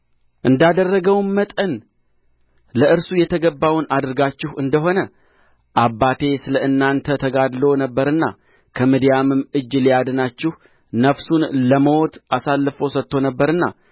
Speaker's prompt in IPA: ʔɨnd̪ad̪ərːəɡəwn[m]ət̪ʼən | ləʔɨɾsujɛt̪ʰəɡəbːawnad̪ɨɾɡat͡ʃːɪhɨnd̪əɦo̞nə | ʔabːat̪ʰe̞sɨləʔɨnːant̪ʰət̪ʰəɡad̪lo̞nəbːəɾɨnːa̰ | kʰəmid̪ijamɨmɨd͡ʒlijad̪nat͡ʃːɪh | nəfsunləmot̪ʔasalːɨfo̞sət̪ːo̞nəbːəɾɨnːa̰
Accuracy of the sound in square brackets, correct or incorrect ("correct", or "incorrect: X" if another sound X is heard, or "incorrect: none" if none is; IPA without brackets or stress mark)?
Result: correct